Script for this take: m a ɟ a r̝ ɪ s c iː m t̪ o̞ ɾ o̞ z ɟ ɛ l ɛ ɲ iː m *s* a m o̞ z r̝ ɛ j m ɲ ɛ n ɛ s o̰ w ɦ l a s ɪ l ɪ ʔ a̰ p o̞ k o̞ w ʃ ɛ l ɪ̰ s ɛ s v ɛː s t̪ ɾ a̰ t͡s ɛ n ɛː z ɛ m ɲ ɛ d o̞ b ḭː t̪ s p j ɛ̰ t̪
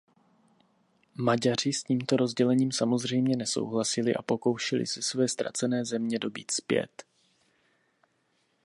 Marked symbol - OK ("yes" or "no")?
yes